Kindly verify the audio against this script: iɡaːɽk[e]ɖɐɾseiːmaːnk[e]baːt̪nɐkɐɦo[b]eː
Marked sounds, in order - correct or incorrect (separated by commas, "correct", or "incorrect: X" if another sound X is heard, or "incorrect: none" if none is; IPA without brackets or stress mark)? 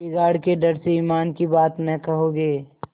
correct, incorrect: i, incorrect: ɡ